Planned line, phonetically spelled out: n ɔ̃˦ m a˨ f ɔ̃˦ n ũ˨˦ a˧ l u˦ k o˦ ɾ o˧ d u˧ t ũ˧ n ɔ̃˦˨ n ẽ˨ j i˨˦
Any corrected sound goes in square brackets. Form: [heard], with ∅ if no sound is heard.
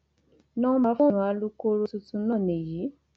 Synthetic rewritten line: n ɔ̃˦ m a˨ f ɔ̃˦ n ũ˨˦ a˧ l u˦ k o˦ ɾ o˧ [t] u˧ t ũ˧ n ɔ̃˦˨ n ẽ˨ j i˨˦